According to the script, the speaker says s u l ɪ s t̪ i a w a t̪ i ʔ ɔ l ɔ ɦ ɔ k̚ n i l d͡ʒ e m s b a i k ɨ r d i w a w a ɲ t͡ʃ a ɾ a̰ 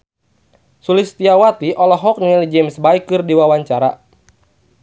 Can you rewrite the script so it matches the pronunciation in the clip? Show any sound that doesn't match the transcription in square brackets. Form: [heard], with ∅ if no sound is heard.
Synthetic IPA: s u l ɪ s t̪ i a w a t̪ i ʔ ɔ l ɔ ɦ ɔ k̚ n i l d͡ʒ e m s b a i k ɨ r d i w a w a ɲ t͡ʃ a ɾ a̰